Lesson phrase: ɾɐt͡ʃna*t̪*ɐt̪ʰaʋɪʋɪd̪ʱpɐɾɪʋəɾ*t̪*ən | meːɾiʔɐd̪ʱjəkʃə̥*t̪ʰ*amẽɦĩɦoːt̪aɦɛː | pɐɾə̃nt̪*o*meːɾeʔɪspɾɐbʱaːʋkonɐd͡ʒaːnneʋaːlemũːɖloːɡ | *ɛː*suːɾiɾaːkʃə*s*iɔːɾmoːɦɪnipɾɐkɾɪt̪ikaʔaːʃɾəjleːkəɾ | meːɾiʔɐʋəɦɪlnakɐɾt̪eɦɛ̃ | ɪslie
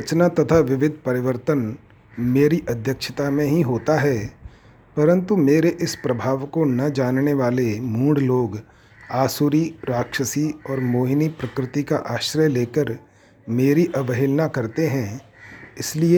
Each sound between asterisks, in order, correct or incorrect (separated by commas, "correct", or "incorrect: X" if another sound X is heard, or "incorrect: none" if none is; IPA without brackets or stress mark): correct, correct, incorrect: t̪, incorrect: u, incorrect: aː, correct